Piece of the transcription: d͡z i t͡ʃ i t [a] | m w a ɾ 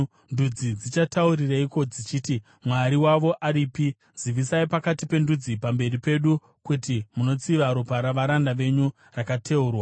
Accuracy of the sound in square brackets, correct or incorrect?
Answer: incorrect